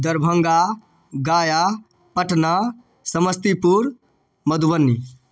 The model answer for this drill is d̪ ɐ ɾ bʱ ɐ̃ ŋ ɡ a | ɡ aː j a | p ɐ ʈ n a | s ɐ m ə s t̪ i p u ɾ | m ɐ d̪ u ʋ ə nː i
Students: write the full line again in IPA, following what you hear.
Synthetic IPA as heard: d̪ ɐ ɾ bʱ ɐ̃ ŋ ɡ a | ɡ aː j a | p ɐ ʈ n a | s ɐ m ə s t̪ i p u ɾ | m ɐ d̪ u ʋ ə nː i